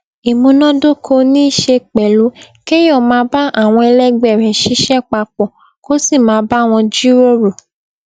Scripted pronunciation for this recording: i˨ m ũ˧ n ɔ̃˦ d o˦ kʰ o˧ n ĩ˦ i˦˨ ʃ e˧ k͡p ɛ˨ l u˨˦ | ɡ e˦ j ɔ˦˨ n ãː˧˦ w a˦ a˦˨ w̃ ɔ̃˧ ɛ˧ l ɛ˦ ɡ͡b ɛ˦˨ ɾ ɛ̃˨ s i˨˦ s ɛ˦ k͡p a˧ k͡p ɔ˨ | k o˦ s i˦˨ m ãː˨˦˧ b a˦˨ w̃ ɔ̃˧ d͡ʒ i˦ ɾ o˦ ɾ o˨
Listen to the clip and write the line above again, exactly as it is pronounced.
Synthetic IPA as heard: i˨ m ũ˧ n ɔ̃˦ d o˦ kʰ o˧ n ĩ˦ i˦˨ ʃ e˧ k͡p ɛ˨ l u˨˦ | k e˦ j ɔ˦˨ m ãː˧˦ b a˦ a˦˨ w̃ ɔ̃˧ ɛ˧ l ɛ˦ ɡ͡b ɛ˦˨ ɾ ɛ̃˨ ʃ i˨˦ ʃ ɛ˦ k͡p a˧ k͡p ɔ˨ | k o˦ s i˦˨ m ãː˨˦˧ b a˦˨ w̃ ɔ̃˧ d͡ʒ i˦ ɾ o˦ ɾ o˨